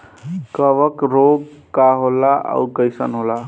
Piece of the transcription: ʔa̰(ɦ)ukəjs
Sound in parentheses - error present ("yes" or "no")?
yes